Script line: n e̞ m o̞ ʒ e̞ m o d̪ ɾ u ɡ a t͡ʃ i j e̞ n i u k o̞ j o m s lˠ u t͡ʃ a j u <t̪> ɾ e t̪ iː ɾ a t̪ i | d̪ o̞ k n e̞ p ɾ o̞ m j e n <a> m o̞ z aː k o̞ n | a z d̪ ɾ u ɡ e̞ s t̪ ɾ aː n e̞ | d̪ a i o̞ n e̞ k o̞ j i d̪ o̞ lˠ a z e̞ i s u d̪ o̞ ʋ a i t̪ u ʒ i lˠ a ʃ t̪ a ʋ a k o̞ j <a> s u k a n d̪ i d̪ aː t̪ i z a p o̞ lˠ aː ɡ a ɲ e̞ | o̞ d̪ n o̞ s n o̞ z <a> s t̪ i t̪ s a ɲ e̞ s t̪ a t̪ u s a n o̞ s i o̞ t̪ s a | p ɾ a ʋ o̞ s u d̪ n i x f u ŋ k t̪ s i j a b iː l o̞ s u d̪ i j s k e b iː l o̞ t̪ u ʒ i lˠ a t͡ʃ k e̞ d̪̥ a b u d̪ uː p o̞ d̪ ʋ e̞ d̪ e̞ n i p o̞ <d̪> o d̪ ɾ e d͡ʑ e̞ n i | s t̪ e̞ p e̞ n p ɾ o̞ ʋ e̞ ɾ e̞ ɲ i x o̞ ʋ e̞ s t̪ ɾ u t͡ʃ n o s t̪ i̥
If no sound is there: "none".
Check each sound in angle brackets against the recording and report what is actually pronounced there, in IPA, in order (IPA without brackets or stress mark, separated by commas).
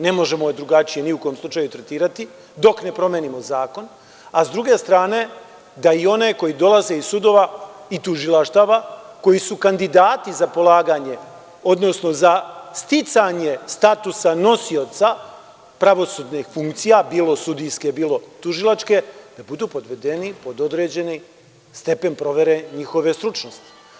t̪, i, i, a, d̪